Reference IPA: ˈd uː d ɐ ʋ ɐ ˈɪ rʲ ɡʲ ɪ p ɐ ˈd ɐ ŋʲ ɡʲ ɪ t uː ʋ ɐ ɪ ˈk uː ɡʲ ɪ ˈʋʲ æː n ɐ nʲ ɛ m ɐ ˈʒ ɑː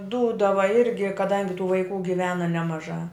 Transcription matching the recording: ˈd uː d ɐ ʋ ɐ ˈɪ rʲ ɡʲ ɪ k ɐ ˈd ɐ ŋʲ ɡʲ ɪ t uː ʋ ɐ ɪ ˈk uː ɡʲ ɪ ˈʋʲ æː n ɐ nʲ ɛ m ɐ ˈʒ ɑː